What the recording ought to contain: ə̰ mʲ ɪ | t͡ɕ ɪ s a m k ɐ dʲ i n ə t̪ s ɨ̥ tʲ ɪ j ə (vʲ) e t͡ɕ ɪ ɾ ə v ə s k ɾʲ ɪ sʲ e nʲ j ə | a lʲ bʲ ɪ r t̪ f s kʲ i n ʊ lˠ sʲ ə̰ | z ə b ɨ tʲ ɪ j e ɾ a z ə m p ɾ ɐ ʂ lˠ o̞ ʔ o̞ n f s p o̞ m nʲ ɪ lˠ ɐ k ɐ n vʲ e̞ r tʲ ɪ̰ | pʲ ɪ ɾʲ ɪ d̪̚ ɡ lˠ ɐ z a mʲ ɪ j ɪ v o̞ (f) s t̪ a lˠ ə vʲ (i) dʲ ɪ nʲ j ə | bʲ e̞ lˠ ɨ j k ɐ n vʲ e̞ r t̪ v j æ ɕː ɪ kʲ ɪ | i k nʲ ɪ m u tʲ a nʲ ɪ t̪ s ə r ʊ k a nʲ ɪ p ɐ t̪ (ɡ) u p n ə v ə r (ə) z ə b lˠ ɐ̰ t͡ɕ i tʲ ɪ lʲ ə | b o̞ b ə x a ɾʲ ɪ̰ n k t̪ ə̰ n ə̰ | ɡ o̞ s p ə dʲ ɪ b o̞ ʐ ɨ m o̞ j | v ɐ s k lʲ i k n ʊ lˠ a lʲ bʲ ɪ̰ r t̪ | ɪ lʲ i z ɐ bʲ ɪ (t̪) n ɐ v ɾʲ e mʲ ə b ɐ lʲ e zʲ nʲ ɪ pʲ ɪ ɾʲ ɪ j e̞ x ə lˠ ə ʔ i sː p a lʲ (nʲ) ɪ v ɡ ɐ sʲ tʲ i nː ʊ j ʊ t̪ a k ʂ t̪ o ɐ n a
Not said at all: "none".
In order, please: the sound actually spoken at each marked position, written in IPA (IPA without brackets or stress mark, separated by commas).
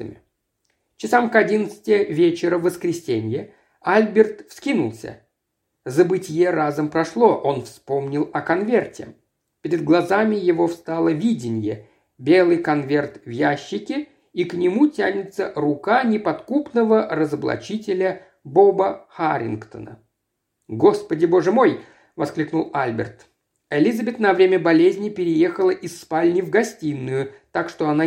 vʲ, f, i, k, ə, t̪, nʲ